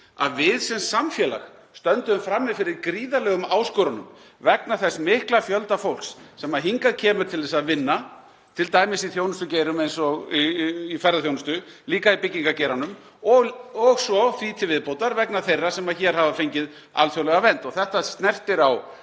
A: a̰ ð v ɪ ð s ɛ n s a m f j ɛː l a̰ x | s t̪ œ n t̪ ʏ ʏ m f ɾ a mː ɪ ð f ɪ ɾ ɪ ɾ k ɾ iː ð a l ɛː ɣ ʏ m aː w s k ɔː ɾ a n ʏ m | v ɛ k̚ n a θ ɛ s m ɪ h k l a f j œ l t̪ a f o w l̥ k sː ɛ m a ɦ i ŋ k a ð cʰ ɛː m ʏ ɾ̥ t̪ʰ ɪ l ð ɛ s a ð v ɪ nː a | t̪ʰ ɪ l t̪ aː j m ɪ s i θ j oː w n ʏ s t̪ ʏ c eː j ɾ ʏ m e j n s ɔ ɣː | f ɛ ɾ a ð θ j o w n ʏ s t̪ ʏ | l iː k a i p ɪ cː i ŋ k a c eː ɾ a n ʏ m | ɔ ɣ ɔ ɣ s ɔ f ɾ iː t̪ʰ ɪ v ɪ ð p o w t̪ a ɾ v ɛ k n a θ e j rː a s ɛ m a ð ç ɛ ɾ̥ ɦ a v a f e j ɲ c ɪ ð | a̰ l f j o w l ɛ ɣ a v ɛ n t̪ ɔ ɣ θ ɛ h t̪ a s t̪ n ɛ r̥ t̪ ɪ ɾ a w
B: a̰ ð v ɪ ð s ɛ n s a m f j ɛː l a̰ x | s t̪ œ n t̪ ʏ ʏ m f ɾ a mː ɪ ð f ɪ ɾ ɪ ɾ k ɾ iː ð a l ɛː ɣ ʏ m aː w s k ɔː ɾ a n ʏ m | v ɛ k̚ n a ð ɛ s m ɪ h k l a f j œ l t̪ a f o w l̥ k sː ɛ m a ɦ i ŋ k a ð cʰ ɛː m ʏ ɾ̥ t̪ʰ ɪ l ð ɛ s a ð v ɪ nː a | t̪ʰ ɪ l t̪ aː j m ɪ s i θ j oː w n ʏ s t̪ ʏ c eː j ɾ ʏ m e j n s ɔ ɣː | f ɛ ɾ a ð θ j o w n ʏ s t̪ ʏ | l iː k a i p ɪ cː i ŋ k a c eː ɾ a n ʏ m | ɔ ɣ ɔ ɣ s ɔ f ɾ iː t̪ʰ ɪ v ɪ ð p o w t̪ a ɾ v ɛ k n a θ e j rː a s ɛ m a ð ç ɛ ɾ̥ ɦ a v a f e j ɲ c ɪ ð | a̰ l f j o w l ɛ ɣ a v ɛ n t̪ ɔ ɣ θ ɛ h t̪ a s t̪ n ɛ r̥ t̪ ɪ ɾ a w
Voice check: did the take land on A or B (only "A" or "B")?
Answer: A